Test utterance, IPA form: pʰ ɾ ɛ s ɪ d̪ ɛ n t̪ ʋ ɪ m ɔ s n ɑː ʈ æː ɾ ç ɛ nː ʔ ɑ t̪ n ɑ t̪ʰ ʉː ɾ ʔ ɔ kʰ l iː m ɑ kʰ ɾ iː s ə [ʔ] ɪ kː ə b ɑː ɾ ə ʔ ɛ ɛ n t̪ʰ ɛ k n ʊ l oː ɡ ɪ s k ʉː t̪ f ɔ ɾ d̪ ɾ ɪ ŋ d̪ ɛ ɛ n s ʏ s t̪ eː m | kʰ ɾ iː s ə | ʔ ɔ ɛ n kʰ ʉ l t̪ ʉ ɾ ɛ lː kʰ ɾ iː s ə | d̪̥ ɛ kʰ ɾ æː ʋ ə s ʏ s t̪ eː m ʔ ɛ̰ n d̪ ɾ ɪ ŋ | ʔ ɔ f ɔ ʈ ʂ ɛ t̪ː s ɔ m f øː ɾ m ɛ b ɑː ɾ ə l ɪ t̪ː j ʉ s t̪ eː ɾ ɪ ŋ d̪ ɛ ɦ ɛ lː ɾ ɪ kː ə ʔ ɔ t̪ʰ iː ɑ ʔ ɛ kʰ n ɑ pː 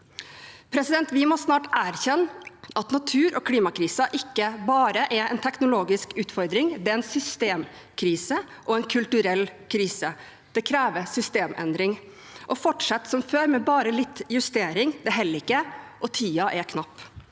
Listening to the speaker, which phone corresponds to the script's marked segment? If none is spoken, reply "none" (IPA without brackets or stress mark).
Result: ʔ